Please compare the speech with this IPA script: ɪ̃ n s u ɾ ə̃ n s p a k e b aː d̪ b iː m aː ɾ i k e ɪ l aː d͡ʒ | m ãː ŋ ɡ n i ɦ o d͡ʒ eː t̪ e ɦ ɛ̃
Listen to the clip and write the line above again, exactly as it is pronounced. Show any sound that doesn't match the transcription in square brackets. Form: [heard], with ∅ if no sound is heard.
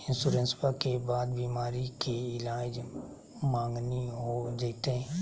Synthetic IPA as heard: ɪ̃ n s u ɾ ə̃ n s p a k e b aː d̪ b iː m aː ɾ i k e ɪ l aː d͡ʒ | m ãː ŋ ɡ n i ɦ o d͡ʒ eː t̪ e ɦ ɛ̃